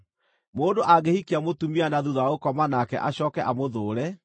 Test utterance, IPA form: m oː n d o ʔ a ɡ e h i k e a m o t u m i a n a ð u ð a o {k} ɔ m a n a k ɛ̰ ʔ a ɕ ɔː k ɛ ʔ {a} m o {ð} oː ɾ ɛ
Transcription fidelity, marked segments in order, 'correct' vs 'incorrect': correct, correct, correct

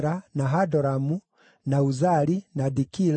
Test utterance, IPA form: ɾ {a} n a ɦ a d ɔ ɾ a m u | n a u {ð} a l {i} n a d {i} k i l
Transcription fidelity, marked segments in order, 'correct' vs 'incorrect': correct, incorrect, correct, correct

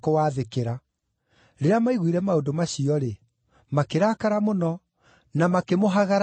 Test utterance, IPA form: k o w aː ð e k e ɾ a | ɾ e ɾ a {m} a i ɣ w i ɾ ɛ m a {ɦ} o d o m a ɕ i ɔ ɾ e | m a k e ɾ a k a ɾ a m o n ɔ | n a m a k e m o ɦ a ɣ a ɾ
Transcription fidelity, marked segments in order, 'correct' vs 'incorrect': correct, incorrect

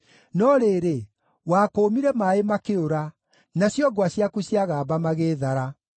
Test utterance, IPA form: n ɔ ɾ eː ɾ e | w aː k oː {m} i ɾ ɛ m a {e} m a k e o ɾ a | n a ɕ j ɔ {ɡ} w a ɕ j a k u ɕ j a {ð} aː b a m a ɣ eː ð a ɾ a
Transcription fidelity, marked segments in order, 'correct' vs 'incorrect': correct, correct, correct, incorrect

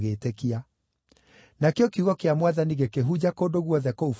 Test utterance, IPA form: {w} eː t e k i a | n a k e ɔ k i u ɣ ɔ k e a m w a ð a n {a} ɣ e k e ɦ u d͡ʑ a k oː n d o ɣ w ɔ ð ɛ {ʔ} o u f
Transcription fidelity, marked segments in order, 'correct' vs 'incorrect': incorrect, incorrect, incorrect

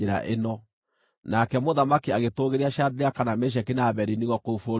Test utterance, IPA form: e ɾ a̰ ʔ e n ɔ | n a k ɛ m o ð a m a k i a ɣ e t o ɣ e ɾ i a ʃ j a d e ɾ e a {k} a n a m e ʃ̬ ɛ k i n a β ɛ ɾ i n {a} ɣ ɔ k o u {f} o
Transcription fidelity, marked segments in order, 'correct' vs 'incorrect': correct, incorrect, correct

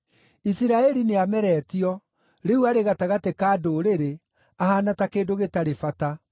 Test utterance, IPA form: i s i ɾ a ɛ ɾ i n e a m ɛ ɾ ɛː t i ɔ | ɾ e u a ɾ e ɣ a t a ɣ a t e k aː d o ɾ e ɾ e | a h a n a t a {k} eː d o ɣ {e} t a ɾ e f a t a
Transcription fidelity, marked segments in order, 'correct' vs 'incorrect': correct, correct

